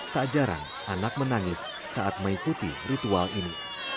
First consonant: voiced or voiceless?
voiceless